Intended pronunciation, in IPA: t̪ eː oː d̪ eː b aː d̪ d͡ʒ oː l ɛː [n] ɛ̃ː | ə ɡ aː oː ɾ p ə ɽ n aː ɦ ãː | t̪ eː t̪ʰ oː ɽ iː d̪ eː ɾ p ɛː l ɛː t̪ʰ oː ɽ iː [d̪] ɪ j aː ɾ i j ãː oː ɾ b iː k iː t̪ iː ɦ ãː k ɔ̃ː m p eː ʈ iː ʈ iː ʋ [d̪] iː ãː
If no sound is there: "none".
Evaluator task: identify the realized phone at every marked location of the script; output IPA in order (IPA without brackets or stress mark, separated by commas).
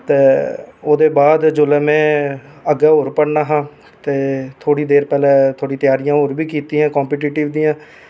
m, t̪, d̪